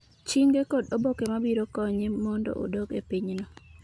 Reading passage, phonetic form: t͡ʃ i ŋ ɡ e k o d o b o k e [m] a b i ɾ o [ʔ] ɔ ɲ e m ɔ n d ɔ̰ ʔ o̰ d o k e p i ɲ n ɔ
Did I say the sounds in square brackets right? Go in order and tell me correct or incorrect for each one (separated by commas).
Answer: correct, incorrect